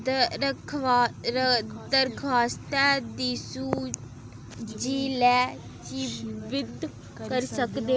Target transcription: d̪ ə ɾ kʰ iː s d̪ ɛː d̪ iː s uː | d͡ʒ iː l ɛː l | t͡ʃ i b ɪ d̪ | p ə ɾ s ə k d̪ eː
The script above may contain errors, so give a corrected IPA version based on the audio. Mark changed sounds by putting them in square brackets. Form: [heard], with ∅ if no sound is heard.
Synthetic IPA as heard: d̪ ə ɾ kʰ [aː] s [t̪] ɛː d̪ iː s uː | d͡ʒ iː l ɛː [∅] | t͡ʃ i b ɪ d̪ | [k] ə ɾ s ə k d̪ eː

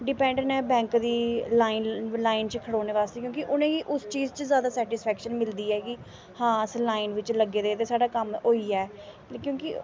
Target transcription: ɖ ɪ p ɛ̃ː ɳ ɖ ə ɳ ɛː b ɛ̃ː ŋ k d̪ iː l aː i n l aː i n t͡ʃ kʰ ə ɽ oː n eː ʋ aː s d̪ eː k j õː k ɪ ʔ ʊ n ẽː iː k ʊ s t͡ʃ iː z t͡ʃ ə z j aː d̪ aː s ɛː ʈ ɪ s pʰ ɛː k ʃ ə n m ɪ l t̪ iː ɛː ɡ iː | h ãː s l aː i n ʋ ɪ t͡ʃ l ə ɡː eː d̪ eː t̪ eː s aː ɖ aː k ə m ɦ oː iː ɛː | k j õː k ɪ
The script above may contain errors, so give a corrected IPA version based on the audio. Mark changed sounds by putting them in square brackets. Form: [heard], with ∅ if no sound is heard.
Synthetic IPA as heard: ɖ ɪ p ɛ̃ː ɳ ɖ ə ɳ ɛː b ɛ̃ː ŋ k d̪ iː l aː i n l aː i n t͡ʃ kʰ ə ɽ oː n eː ʋ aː s [t̪] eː k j õː k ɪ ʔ ʊ n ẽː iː [ʔ] ʊ s t͡ʃ iː z t͡ʃ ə z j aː d̪ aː s ɛː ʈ ɪ s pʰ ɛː k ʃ ə n m ɪ l [d̪] iː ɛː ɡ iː | h ãː s l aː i n ʋ ɪ t͡ʃ l ə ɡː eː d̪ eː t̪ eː s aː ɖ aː k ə m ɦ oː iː ɛː | k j õː k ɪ

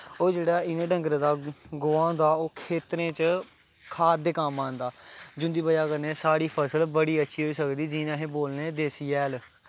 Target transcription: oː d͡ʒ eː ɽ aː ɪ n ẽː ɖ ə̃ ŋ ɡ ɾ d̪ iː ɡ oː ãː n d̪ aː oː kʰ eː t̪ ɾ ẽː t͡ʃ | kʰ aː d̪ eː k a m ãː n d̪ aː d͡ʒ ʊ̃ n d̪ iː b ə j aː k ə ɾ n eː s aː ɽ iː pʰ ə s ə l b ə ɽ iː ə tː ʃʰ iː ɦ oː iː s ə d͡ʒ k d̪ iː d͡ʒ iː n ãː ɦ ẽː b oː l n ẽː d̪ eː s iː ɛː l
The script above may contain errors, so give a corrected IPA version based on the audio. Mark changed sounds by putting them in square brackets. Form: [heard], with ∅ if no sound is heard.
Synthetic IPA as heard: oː d͡ʒ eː ɽ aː ɪ n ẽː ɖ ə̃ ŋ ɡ ɾ d̪ [aː] ɡ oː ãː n d̪ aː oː kʰ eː t̪ ɾ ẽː t͡ʃ | kʰ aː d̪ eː k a m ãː n d̪ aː d͡ʒ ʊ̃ n d̪ iː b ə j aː k ə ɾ n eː s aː ɽ iː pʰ ə s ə l b ə ɽ iː ə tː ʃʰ iː ɦ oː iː s ə [∅] k d̪ iː d͡ʒ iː n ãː ɦ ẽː b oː l n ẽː d̪ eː s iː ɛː l

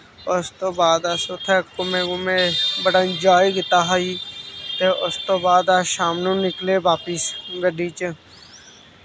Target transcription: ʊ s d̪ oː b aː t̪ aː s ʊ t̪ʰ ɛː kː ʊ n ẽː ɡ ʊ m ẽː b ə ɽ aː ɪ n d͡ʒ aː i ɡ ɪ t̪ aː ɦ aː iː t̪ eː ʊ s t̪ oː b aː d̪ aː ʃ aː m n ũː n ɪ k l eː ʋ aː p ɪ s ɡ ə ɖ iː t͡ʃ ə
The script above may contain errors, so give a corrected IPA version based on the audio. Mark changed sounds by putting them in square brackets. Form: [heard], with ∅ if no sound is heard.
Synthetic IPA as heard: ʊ s [t̪] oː b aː [d̪] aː s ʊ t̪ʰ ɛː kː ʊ [m] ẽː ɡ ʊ m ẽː b ə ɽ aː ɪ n d͡ʒ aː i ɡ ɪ t̪ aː ɦ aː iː t̪ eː ʊ s t̪ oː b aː d̪ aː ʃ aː m n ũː n ɪ k l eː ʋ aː p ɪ s ɡ ə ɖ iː t͡ʃ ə

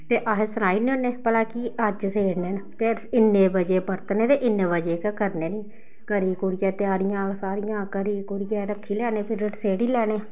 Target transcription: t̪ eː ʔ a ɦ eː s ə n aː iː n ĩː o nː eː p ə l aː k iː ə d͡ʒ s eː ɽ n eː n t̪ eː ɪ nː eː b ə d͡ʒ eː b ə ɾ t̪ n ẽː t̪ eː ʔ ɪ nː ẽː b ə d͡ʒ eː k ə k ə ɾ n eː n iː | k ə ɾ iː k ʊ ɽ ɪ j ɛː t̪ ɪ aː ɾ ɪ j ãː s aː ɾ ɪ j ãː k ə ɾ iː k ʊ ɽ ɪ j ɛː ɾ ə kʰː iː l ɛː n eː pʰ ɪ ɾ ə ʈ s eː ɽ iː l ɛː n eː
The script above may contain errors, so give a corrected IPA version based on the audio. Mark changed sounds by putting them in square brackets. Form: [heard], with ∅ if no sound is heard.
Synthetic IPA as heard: t̪ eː ʔ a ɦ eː s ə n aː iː n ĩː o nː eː p ə l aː k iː ə d͡ʒ s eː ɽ n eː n t̪ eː ɪ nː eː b ə d͡ʒ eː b ə ɾ t̪ n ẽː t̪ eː ʔ ɪ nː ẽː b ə d͡ʒ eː k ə k ə ɾ n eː n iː | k ə ɾ iː k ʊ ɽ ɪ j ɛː t̪ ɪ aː ɾ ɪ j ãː s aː ɾ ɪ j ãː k ə ɾ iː k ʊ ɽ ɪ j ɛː ɾ ə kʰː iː l ɛː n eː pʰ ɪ ɾ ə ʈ s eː ɽ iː l ɛː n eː

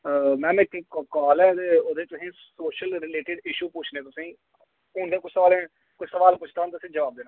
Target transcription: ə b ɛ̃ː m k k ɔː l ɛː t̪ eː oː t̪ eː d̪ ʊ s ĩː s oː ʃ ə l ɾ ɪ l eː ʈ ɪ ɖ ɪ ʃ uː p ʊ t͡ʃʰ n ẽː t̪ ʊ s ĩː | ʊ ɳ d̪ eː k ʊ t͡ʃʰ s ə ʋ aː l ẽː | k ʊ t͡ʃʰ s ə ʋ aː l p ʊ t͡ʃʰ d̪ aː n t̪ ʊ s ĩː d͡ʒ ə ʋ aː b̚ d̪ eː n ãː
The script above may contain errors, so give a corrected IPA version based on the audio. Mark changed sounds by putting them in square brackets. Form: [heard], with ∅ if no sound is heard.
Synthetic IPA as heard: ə [m] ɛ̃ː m k k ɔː l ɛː t̪ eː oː [d̪] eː [t̪] ʊ s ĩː s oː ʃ ə l ɾ ɪ l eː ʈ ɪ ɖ ɪ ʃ uː p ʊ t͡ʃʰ n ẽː t̪ ʊ s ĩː | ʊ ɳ d̪ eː k ʊ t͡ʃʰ s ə ʋ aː l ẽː | k ʊ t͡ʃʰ s ə ʋ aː l p ʊ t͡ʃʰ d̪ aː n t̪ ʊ s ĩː d͡ʒ ə ʋ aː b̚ d̪ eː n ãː

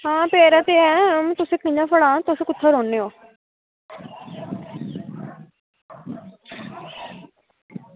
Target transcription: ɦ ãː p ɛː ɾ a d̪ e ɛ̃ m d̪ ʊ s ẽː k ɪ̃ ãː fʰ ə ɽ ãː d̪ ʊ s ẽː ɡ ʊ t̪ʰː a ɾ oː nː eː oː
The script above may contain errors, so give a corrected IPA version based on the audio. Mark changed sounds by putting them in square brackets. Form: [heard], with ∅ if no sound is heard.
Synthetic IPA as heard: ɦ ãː p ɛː ɾ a [t̪] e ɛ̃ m [t̪] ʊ s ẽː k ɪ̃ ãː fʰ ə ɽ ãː [t̪] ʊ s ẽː [k] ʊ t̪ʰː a ɾ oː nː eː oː

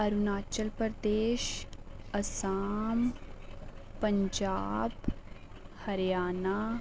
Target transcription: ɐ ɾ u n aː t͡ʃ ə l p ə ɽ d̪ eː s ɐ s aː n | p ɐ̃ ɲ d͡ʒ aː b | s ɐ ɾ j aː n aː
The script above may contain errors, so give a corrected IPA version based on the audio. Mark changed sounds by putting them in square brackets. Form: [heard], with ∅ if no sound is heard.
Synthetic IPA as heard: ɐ ɾ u n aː t͡ʃ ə l p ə [ɾ] d̪ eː [ʃ] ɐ s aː [m] | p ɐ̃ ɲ d͡ʒ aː b | [h] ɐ ɾ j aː n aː

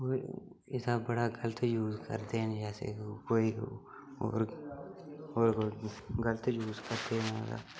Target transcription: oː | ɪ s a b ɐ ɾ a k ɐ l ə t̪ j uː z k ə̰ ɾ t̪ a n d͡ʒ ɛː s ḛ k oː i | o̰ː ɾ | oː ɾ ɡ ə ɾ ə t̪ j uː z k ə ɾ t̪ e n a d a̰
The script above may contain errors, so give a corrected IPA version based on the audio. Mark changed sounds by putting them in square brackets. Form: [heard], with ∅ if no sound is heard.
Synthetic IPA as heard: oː | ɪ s a b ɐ [ɽ] a [ɡ] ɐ l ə t̪ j uː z k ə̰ ɾ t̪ [e] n d͡ʒ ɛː s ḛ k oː i | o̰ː ɾ | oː ɾ ɡ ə [l] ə t̪ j uː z k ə ɾ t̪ e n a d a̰

